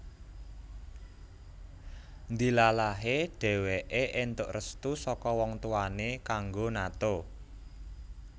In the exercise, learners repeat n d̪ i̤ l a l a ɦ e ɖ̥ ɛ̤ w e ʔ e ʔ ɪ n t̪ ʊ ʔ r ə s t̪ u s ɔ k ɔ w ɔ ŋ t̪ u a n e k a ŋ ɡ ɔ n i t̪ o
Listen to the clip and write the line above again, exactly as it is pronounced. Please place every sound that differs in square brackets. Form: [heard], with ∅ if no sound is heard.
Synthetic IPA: n d̪ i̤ l a l a ɦ e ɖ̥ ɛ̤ w e ʔ e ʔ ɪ n t̪ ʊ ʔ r ə s t̪ u s ɔ k ɔ w ɔ ŋ t̪ u a n e k a ŋ ɡ [o] n [a] t̪ o